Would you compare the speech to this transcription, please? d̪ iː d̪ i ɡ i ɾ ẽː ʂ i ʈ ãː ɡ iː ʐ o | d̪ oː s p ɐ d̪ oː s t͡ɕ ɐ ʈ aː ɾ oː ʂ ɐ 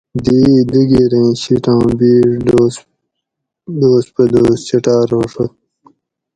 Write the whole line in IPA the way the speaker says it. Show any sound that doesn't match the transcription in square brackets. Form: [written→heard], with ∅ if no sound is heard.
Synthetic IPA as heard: d̪ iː d̪ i ɡ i ɾ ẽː [ʂ→ɕ] i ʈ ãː [ɡ→b] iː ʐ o | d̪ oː s p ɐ d̪ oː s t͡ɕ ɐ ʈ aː ɾ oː ʂ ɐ

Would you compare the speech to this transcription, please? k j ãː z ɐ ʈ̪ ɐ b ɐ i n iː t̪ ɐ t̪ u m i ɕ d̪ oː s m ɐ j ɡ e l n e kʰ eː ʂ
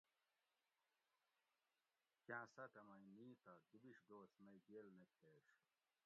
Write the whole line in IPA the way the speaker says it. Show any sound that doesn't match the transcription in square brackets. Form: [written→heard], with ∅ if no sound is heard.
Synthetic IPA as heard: k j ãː [z→s] ɐ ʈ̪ ɐ [b→m] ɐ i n iː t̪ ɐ [t̪→d̪] u [m→b] i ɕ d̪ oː s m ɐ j ɡ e l n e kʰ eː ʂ

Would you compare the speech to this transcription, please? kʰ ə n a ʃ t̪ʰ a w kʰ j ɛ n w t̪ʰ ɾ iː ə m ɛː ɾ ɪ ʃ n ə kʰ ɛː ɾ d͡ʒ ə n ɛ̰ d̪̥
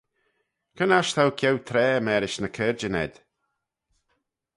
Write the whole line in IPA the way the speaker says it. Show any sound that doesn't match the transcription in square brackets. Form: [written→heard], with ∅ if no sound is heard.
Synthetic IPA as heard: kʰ ə n a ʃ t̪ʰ a w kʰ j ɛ [n→∅] w t̪ʰ ɾ [iː→ɛː] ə m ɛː ɾ ɪ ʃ n ə kʰ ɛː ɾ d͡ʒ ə n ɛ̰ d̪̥

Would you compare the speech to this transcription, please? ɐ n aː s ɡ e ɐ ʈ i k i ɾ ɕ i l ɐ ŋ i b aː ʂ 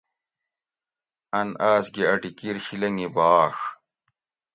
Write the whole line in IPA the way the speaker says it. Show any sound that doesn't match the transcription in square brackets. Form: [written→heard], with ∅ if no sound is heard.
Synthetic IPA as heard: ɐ n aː s ɡ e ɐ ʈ i k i ɾ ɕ i l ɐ ŋ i b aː ʂ

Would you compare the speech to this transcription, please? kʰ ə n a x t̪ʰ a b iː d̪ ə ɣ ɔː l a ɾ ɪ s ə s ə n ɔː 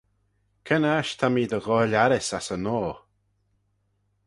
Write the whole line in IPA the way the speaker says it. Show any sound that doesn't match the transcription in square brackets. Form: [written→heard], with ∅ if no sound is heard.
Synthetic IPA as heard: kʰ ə n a [x→ʃ] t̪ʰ a [b→m] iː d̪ ə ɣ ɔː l a ɾ ɪ s [ə→a] s ə n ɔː

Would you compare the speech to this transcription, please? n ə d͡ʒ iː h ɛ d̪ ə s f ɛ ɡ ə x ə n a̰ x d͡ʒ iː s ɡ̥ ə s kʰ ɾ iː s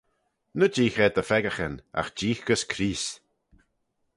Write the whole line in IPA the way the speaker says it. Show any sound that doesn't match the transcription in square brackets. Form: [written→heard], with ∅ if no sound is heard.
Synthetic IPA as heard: n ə d͡ʒ iː [h→x] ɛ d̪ ə [s→∅] f ɛ ɡ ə x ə n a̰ x d͡ʒ iː [s→x] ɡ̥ ə s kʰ ɾ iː s

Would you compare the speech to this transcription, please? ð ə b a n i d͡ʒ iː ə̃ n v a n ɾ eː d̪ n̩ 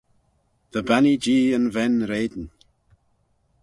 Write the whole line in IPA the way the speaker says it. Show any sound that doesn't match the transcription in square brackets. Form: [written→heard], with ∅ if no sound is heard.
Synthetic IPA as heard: ð ə b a n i d͡ʒ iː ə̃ n v [a→ɛ] n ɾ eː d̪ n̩

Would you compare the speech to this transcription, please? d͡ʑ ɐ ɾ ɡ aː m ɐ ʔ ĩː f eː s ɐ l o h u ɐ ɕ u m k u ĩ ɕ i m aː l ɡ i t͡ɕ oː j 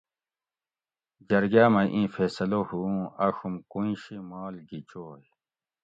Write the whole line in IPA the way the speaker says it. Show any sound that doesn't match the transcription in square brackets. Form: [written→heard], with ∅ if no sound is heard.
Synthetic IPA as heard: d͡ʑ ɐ ɾ ɡ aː m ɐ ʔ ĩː f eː s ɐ l o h u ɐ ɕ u m k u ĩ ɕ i m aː l ɡ i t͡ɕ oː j

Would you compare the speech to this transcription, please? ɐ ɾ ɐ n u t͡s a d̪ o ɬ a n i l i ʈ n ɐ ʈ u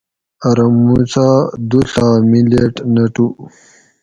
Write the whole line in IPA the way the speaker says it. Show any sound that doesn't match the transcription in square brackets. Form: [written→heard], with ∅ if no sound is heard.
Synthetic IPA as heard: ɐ ɾ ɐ [n→m] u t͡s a d̪ [o→u] ɬ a [n→m] i l [i→e] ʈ n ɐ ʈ u

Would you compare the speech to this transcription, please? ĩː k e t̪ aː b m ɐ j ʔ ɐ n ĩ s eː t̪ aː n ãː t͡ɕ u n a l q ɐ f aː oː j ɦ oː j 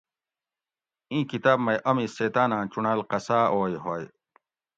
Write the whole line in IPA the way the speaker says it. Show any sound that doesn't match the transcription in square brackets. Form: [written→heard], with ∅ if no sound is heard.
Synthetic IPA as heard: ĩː k [e→i] t̪ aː b m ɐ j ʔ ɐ [n→m] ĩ s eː t̪ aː n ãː t͡ɕ u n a l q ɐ [f→s] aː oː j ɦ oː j

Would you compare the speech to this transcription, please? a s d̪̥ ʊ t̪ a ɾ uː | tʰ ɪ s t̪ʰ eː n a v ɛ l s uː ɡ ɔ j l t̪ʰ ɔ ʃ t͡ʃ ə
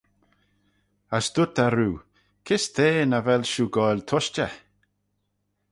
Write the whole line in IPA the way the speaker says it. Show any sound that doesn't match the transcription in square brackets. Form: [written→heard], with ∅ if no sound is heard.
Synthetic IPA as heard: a s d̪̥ ʊ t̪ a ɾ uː | [tʰ→kʰ] ɪ s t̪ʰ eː n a v ɛ l [s→ʃ] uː ɡ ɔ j l t̪ʰ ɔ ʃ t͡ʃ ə

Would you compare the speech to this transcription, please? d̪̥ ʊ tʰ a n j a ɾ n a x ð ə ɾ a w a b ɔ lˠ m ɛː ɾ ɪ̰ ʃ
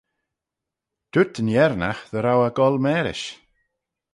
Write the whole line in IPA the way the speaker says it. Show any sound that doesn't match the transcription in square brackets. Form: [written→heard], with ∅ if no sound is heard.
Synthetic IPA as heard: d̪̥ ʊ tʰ [a→ə] n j [a→ɛ] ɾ n a x ð ə ɾ a w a [b→ɡ] ɔ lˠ m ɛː ɾ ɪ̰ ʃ

